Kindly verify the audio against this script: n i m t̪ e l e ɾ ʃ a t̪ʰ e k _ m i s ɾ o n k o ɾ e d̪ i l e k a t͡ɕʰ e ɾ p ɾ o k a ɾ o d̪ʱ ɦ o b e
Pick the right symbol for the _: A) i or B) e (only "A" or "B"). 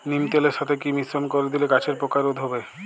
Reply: A